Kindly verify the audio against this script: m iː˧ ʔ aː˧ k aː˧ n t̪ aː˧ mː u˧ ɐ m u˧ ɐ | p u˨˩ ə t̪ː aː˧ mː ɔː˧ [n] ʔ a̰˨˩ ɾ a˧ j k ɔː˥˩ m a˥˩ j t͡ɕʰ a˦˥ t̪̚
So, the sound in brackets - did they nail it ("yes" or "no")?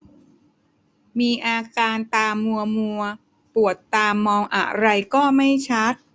no